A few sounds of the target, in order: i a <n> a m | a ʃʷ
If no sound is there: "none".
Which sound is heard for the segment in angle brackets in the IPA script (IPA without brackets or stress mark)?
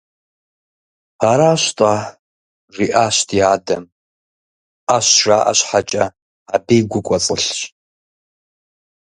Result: d